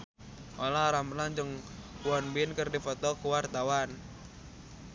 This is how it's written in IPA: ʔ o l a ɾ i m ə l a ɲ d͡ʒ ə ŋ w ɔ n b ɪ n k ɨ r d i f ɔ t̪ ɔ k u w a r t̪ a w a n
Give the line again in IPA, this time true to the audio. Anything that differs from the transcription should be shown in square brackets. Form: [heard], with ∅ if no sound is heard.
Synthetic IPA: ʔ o l a ɾ [a] m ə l a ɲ d͡ʒ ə ŋ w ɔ n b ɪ n k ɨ r d i f ɔ t̪ ɔ k u w a r t̪ a w a n